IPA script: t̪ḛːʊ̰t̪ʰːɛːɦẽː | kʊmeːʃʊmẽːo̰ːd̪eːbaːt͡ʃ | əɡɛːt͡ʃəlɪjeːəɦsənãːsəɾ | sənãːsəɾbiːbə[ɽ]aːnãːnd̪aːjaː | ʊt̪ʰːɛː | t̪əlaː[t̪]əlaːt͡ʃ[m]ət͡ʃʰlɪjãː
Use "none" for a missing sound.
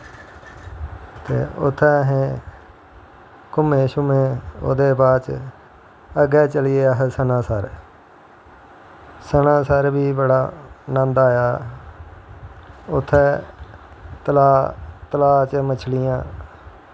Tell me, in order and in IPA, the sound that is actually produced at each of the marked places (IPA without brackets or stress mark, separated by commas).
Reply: ɽ, t̪, m